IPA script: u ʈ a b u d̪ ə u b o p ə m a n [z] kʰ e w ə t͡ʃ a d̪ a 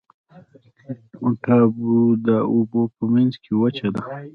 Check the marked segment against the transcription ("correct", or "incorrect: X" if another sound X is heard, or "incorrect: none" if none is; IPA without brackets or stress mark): correct